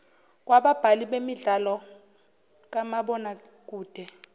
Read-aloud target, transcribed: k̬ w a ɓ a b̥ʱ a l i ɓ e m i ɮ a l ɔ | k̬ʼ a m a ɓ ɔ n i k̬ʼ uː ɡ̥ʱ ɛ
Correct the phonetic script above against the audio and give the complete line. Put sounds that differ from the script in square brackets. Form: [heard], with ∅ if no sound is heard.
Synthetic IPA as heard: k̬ w a ɓ a b̥ʱ a l i ɓ e m i ɮ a l ɔ | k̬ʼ a m a ɓ ɔ n [a] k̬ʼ uː [d̥ʱ] ɛ